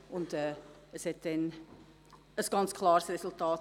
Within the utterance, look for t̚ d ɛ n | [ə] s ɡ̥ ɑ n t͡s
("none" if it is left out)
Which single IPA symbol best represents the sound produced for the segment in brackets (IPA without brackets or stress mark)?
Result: ə